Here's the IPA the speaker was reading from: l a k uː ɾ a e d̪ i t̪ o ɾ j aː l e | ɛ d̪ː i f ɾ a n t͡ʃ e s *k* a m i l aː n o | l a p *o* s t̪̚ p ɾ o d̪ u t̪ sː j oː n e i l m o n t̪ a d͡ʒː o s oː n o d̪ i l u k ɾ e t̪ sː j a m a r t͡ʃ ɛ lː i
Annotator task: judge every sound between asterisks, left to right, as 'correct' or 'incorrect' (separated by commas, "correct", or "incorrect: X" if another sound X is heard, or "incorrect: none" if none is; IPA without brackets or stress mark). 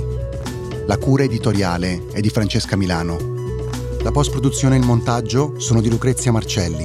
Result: correct, incorrect: ɔ